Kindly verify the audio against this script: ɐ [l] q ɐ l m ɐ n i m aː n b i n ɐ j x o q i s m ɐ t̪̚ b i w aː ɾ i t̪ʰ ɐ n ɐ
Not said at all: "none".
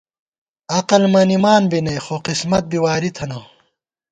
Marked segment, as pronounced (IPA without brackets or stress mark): none